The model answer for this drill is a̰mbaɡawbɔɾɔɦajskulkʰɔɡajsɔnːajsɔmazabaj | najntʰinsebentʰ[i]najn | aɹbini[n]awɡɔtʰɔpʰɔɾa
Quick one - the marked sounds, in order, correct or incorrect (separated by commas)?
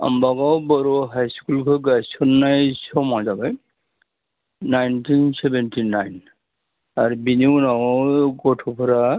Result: correct, correct